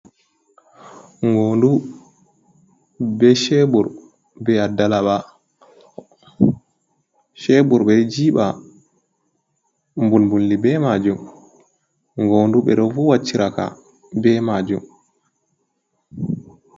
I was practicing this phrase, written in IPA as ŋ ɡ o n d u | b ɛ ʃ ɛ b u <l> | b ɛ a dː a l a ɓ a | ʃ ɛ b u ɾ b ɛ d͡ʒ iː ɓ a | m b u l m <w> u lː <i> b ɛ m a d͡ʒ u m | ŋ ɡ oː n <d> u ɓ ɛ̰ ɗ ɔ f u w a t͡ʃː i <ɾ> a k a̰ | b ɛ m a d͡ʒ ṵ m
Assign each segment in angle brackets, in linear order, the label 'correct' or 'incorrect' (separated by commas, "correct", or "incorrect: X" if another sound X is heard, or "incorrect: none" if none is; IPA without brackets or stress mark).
incorrect: ɾ, incorrect: b, correct, correct, correct